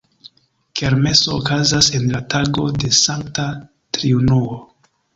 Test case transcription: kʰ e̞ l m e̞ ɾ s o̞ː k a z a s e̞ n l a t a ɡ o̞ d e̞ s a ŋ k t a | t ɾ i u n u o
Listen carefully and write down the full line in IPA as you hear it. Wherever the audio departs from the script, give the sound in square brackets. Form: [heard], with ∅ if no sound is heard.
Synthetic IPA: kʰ e̞ [ɾ] m e̞ [∅] s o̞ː k a z a s e̞ n l a t a ɡ o̞ d e̞ s a ŋ k t a | t ɾ i u n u o

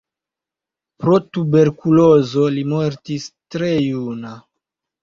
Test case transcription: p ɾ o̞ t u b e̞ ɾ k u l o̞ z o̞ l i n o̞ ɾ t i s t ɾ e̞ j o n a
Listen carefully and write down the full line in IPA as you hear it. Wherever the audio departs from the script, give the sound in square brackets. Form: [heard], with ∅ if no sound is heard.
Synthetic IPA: p ɾ o̞ t u b e̞ ɾ k u l o̞ z o̞ l i [m] o̞ ɾ t i s t ɾ e̞ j [u] n a

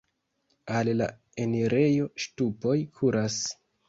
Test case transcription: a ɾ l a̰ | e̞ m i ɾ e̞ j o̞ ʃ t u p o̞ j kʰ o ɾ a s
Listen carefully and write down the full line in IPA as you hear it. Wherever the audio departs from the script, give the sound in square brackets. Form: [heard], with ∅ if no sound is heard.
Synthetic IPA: a [l] l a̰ | e̞ [n] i ɾ e̞ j o̞ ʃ t u p o̞ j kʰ [u] ɾ a s

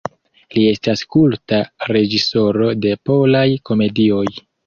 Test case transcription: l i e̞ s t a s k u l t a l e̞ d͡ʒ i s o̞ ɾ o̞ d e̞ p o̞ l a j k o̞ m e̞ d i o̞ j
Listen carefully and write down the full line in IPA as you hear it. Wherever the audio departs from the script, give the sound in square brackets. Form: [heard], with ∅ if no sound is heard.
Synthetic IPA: l i e̞ s t a s k u l t a [ɾ] e̞ d͡ʒ i s o̞ ɾ o̞ d e̞ p o̞ l a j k o̞ m e̞ d i o̞ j

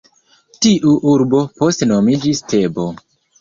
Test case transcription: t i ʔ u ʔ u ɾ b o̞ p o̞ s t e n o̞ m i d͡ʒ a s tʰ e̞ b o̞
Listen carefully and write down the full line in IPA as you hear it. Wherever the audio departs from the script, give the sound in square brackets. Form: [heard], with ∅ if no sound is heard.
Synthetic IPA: t i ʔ u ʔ u ɾ b o̞ p o̞ s t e n o̞ m i d͡ʒ [i] s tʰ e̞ b o̞

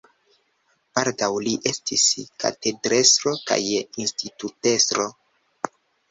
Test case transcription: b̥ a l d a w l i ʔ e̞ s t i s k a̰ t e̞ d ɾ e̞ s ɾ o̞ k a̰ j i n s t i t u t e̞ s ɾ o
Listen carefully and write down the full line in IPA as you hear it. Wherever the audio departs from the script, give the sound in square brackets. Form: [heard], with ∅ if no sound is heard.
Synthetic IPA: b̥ a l d a w l i ʔ e̞ s t i s k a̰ t e̞ d ɾ e̞ s ɾ o̞ k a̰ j i n s t i t u t e̞ s ɾ o

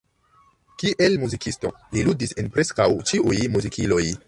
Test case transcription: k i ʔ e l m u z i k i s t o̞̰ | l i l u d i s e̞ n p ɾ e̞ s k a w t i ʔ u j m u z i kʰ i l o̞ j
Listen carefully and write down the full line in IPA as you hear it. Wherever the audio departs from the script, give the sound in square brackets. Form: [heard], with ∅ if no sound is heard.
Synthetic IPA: k i ʔ e l m u z i k i s t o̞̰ | l i l u d i s e̞ n p ɾ e̞ s k a w [t͡ʃ] i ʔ u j m u z i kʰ i l o̞ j

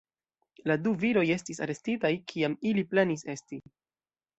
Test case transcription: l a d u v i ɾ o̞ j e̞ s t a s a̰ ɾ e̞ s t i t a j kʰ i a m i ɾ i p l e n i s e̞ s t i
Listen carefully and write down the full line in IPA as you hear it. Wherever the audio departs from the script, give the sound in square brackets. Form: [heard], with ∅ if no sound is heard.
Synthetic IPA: l a d u v i ɾ o̞ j e̞ s t [i] s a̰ ɾ e̞ s t i t a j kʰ i a m i [l] i p l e n i s e̞ s t i

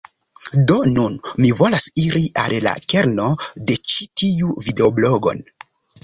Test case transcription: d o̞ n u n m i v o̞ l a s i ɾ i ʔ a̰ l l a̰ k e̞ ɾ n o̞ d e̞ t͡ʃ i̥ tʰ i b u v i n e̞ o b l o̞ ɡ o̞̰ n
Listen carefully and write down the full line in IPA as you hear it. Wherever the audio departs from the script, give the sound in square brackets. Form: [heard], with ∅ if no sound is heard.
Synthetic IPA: d o̞ n u n m i v o̞ l a s i ɾ i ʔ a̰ l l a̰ k e̞ ɾ n o̞ d e̞ t͡ʃ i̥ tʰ i [∅] u v i [d] e̞ o b l o̞ ɡ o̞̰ n

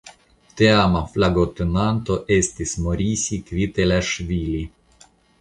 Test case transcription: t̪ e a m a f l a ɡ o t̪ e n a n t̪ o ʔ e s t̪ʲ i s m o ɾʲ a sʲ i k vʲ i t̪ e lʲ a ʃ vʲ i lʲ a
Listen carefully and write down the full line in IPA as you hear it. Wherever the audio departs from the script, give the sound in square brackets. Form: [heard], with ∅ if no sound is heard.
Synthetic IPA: t̪ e a m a f l a ɡ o t̪ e n a n t̪ o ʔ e s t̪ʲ i s m o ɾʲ [i] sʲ i k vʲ i t̪ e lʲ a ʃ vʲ i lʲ [i]

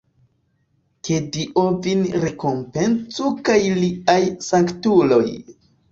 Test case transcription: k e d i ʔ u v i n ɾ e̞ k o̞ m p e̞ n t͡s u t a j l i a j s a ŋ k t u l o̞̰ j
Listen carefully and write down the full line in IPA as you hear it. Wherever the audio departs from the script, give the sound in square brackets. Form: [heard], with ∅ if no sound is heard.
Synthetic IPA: k e d i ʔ [o] v i n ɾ e̞ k o̞ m p e̞ n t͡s u [k] a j l i a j s a ŋ k t u l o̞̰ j

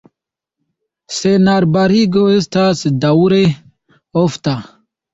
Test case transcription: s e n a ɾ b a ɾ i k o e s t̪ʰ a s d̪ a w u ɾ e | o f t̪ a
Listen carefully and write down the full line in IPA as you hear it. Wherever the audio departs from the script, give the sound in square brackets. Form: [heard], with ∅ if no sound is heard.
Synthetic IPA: s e n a ɾ b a ɾ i [ɡ] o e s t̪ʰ a s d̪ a w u ɾ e | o f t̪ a

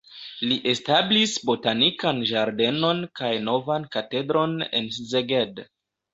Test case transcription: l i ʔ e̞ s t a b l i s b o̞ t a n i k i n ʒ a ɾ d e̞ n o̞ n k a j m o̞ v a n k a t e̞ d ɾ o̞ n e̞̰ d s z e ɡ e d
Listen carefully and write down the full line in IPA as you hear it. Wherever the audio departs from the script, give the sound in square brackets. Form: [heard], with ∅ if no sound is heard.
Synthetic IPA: l i ʔ e̞ s t a b l i s b o̞ t a n i k [a] n ʒ a ɾ d e̞ n o̞ n k a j [n] o̞ v a n k a t e̞ d ɾ o̞ n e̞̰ [n] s z e ɡ e d

